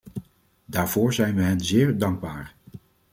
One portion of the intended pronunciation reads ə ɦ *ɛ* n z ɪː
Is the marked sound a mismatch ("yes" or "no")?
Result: no